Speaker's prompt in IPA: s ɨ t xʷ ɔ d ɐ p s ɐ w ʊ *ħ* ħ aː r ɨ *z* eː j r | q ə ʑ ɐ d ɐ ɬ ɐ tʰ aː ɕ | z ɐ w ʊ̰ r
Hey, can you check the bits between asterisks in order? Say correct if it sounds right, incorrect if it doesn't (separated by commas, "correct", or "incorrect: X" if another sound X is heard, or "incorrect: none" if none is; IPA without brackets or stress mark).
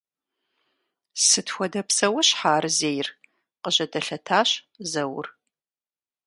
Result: incorrect: ɕ, correct